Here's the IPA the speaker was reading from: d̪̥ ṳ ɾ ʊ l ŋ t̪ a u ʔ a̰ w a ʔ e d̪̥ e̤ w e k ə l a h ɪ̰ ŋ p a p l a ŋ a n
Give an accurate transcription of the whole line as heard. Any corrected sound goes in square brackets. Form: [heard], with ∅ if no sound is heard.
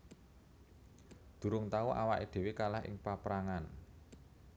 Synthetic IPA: d̪̥ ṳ ɾ ʊ [∅] ŋ t̪ a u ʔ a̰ w a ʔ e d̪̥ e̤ w e k [a] l a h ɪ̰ ŋ p a p [ɾ] a ŋ a n